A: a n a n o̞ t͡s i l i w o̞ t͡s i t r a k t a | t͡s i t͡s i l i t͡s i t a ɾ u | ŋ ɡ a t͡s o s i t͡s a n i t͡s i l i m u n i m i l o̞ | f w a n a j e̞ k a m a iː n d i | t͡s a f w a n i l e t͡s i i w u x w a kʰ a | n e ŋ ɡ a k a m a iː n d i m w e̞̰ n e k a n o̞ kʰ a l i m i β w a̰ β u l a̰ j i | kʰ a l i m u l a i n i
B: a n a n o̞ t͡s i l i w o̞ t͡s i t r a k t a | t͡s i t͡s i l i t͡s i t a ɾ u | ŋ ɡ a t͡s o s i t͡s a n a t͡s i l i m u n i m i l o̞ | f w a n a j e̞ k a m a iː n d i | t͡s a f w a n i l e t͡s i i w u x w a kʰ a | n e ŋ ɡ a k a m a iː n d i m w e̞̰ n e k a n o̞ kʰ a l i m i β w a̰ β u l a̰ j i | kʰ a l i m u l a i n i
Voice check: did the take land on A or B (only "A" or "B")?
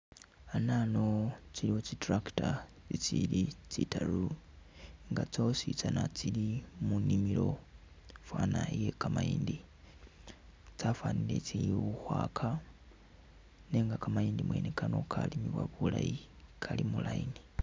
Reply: B